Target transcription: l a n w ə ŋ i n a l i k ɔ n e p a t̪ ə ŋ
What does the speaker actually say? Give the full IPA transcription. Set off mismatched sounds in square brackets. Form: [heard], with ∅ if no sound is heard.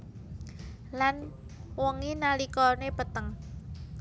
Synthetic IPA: l a n w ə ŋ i n a l i k ɔ n e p [ə] t̪ ə ŋ